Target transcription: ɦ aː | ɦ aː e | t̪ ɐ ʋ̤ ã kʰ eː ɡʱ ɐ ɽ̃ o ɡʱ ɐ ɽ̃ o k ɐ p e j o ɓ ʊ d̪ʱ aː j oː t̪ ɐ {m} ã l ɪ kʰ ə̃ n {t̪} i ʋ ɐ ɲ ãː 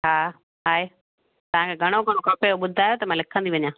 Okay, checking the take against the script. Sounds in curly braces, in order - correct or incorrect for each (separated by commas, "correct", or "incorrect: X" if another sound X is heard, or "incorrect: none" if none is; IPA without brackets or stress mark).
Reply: correct, incorrect: d̪